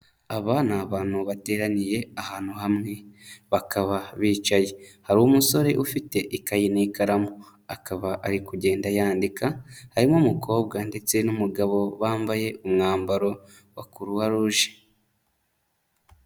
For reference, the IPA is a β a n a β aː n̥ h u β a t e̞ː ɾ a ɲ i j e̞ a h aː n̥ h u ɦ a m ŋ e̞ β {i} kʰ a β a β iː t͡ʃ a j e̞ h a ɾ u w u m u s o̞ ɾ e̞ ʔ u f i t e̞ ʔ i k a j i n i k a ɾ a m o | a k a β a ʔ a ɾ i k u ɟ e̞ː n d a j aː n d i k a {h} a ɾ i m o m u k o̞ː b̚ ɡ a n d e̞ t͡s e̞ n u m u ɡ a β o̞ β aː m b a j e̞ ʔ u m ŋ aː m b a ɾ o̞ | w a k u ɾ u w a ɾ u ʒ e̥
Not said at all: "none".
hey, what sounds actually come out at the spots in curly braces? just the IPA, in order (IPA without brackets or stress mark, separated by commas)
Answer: a, h